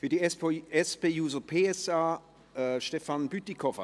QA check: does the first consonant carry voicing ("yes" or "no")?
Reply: no